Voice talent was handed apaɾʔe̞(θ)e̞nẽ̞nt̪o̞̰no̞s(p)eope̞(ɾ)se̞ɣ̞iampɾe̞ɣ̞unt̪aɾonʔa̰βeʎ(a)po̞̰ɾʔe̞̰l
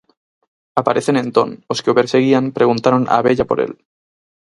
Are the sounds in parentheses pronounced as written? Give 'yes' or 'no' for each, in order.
yes, no, yes, yes

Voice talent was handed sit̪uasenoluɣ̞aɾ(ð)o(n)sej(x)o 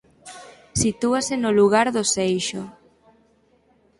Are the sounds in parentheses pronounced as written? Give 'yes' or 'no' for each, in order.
yes, no, no

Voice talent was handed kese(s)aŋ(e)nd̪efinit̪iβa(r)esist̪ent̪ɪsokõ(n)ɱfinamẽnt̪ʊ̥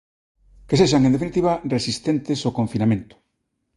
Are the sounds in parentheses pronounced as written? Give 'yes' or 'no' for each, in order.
no, yes, yes, no

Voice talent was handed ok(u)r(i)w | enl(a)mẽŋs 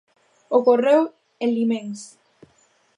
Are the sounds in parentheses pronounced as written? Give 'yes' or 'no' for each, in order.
no, no, no

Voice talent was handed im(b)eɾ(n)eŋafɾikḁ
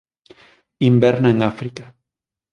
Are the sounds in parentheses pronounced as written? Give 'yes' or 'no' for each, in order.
yes, yes

